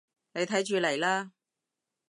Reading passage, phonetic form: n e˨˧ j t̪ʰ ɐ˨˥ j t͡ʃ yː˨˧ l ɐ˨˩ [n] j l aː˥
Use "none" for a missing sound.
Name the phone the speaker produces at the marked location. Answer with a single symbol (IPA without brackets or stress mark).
none